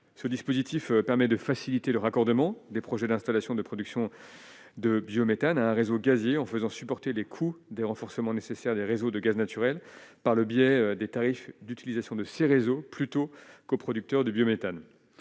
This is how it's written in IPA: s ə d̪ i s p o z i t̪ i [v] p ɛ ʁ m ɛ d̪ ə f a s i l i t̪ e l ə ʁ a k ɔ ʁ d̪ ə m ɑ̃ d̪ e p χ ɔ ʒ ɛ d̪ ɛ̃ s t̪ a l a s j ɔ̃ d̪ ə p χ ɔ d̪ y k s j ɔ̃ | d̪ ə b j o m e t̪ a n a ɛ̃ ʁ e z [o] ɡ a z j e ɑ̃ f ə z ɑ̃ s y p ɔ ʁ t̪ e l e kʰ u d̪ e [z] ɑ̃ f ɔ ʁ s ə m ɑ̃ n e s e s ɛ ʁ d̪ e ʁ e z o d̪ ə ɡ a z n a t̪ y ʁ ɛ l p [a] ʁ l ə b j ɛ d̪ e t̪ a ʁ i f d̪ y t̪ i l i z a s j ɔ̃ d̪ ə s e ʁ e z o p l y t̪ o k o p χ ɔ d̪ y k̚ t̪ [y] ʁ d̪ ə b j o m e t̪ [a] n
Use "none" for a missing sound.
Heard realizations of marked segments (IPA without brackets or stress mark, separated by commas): f, o, ʁ, a, œ, a